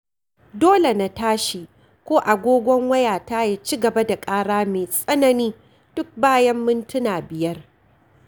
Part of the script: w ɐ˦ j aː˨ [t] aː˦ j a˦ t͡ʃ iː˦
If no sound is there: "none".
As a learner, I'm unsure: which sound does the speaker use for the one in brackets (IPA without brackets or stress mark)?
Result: t